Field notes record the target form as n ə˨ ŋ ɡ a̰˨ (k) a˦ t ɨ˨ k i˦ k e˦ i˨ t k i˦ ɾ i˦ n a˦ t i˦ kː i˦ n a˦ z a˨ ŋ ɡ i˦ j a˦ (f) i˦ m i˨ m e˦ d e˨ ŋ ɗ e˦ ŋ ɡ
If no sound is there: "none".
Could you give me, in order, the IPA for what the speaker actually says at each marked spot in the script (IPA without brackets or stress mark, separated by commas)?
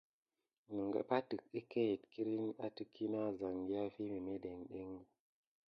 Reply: p, f